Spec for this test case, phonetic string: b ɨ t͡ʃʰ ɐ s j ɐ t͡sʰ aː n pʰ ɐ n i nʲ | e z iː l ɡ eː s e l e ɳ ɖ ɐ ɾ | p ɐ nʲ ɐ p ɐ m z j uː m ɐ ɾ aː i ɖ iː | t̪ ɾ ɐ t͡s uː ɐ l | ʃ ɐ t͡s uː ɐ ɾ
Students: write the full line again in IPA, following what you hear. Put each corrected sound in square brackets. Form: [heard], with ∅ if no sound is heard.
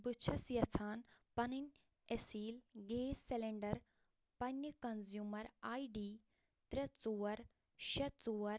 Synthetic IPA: b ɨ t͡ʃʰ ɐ s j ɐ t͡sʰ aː n [p] ɐ n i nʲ | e [s] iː l ɡ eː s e l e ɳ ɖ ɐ ɾ | p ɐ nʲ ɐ [k] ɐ [n] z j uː m ɐ ɾ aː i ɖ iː | t̪ ɾ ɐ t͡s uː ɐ [ɾ] | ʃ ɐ t͡s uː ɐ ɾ